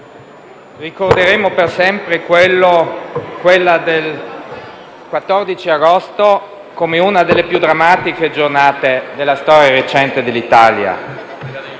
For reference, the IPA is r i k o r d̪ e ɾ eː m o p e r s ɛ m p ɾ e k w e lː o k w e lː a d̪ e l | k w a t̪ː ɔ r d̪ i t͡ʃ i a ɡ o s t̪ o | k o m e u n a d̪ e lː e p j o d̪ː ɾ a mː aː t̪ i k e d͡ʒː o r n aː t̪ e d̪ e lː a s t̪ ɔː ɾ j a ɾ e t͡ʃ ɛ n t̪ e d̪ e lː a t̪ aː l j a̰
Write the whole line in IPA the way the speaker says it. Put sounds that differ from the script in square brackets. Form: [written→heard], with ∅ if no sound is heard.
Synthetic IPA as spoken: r i k o r d̪ e ɾ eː m o p e r s ɛ m p ɾ e k w e lː o k w e lː a d̪ e l | k w a t̪ː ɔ r d̪ i t͡ʃ i a ɡ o s t̪ o | k o m e u n a d̪ e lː e p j [o→u] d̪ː ɾ a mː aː t̪ i k e [d͡ʒː→d͡ʒ] o r n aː t̪ e d̪ e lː a s t̪ ɔː ɾ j a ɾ e t͡ʃ ɛ n t̪ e d̪ e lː [a→i] t̪ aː l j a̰